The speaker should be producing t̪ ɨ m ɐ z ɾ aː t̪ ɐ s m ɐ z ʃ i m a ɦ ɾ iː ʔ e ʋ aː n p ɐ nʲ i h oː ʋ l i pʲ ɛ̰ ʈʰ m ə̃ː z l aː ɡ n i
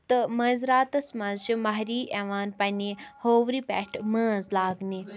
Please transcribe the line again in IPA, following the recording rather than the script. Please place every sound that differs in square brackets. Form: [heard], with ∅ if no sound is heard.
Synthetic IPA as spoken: t̪ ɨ m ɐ z ɾ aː t̪ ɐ s m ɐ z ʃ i m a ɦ ɾ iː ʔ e ʋ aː n p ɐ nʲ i h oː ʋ [ɾ] i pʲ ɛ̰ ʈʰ m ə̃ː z l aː ɡ n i

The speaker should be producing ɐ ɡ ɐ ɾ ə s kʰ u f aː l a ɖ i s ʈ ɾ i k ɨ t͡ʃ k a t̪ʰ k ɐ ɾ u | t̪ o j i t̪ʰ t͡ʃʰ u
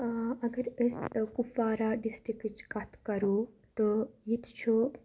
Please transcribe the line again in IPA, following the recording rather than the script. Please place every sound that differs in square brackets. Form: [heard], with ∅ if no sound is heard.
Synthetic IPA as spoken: ɐ ɡ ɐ ɾ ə s [k] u f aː [ɾ] a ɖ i s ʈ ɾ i k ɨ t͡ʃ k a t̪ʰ k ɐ ɾ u | t̪ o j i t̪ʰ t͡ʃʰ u

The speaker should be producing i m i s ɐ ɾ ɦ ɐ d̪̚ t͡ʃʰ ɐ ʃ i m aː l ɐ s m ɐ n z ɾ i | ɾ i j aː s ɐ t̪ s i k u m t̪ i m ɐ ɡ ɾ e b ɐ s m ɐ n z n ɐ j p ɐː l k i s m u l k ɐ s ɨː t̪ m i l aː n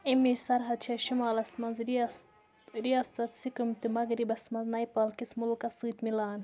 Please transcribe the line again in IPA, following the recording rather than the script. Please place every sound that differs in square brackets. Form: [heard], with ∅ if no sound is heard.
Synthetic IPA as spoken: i m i s ɐ ɾ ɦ ɐ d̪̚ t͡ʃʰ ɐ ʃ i m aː l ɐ s m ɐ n z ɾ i | ɾ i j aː s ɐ t̪ s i k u m t̪ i m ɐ ɡ ɾ [i] b ɐ s m ɐ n z n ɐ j p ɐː l k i s m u l k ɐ s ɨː t̪ m i l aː n

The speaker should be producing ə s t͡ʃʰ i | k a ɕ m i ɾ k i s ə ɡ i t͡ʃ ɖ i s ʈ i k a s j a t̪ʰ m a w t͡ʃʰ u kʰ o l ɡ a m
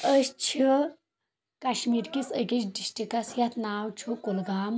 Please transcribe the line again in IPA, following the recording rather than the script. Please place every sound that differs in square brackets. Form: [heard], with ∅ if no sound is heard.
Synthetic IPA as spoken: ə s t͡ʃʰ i | k a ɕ m i ɾ k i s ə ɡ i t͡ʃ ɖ i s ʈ i k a s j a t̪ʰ [n] a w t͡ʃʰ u [k] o l ɡ a m

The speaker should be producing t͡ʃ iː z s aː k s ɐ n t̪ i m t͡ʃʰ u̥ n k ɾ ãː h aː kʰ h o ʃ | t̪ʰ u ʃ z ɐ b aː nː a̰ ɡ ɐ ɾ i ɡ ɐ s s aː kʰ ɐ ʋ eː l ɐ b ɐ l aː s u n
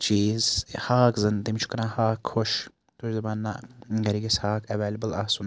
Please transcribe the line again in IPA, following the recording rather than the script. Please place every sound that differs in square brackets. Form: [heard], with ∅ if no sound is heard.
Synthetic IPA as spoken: t͡ʃ iː z [h] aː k [z] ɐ n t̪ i m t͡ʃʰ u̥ [∅] k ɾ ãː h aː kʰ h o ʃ | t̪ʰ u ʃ z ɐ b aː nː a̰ ɡ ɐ ɾ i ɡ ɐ s [h] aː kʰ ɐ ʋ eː l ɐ b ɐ l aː s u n

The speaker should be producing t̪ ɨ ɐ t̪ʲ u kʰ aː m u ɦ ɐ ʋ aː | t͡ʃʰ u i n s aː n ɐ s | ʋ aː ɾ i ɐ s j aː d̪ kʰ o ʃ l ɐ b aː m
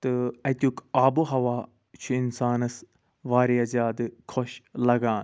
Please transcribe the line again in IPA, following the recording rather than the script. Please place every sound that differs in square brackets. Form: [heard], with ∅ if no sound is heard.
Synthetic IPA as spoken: t̪ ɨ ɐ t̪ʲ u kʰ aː [b] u ɦ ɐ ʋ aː | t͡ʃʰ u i n s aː n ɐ s | ʋ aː ɾ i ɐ [z] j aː d̪ kʰ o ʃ l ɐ [ɡ] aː [n]

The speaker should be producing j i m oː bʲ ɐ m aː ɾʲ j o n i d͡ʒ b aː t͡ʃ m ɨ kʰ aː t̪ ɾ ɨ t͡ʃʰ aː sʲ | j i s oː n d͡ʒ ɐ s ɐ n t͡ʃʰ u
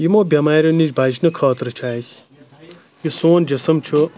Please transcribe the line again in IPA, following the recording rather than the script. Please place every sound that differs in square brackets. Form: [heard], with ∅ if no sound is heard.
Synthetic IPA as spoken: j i m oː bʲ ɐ m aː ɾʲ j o n i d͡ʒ b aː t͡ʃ [n] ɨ kʰ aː t̪ ɾ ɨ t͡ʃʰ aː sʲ | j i s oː n d͡ʒ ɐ s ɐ [m] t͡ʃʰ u

